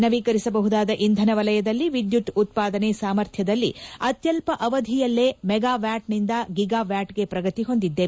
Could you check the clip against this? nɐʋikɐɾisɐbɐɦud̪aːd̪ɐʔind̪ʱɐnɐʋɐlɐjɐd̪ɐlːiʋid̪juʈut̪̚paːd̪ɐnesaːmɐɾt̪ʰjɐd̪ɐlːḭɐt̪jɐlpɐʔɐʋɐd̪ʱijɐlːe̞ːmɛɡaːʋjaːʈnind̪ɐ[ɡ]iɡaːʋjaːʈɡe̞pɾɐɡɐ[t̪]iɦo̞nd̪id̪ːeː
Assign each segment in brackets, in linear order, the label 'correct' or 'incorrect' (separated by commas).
correct, correct